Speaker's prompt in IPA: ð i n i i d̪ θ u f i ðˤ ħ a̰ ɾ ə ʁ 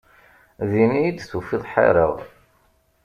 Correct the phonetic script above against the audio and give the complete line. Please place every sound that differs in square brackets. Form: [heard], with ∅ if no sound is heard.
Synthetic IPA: ð i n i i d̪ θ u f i ðˤ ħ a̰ ɾ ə ʁ